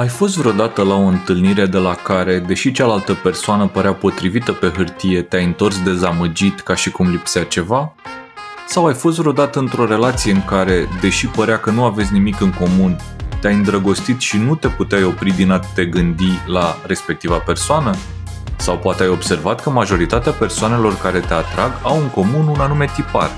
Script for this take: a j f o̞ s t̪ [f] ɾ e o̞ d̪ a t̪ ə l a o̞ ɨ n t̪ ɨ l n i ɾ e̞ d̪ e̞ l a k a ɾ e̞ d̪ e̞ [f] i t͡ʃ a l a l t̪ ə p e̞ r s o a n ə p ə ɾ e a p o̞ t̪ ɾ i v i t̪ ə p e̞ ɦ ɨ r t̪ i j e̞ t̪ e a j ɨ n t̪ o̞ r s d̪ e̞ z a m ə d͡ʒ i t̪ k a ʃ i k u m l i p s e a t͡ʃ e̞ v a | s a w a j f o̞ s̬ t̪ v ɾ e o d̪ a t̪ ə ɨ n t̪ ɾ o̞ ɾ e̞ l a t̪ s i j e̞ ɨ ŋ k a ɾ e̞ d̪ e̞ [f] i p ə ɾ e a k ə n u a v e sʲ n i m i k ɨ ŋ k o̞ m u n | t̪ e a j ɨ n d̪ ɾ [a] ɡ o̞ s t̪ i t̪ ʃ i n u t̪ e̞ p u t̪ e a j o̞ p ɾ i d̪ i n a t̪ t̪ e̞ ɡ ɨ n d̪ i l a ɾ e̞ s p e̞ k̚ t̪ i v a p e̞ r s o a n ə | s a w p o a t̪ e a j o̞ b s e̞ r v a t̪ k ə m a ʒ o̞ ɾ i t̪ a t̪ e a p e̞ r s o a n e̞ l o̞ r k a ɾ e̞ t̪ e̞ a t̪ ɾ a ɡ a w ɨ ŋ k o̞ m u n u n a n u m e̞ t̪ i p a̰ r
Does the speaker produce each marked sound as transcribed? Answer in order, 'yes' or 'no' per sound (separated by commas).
no, no, no, no